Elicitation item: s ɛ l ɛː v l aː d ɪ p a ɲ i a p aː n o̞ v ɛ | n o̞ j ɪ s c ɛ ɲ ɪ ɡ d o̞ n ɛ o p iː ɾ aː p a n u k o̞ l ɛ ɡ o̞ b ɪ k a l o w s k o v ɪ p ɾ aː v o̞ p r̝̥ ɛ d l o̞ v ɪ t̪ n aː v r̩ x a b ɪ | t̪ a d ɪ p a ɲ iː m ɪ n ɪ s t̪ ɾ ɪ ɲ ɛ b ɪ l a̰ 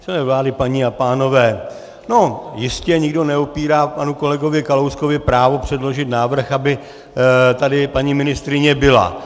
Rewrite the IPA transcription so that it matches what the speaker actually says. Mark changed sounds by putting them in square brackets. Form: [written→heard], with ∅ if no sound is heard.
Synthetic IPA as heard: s ɛ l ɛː v l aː d ɪ p a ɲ i a p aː n o̞ v [ɛ→ɛː] | n o̞ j ɪ s c ɛ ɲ ɪ ɡ d o̞ n ɛ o p iː ɾ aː p a n u k o̞ l ɛ ɡ o̞ [b→v] ɪ k a l o w s k o v ɪ p ɾ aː v o̞ p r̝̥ ɛ d l o̞ [v→ʒ] ɪ t̪ n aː v r̩ x a b ɪ | t̪ a d ɪ p a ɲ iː m ɪ n ɪ s t̪ ɾ ɪ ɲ ɛ b ɪ l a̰